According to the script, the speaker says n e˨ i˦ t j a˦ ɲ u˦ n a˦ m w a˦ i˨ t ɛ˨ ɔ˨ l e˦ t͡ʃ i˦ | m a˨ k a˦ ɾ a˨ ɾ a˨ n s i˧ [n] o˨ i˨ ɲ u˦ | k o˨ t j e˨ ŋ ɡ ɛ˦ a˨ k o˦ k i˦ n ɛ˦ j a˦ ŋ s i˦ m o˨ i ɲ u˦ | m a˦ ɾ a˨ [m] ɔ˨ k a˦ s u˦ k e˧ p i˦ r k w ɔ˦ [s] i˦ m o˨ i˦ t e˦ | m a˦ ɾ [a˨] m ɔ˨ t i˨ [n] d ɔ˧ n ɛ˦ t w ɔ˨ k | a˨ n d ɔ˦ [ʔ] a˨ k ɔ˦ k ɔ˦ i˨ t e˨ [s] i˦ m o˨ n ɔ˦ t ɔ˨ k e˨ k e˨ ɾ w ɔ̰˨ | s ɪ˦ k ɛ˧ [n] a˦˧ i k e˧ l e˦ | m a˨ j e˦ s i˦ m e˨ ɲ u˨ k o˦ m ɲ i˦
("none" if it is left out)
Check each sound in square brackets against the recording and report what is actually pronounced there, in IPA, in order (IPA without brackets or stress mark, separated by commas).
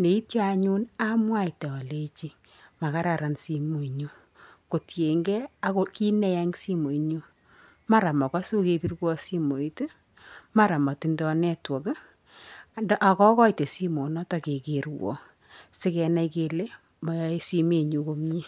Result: m, m, s, a˨, n, ʔ, s, n